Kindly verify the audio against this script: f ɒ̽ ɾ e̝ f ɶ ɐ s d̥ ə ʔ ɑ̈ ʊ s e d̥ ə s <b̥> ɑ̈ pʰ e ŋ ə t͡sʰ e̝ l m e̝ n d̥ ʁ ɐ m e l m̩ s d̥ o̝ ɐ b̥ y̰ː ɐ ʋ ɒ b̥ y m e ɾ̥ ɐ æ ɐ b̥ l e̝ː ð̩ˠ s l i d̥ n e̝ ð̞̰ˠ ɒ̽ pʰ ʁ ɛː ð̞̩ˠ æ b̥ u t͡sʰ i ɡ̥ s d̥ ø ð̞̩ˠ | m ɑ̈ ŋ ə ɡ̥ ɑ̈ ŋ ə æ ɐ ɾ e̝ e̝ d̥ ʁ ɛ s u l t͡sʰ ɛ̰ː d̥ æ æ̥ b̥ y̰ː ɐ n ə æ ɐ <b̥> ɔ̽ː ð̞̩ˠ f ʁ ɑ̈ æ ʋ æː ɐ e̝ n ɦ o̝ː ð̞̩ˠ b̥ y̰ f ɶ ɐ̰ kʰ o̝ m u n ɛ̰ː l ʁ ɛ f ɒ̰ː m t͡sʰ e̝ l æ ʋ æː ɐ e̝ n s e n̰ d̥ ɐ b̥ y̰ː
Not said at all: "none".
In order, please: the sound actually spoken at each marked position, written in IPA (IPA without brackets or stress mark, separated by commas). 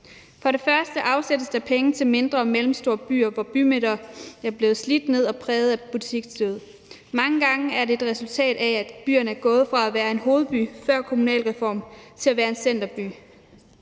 d̥, ɡ̥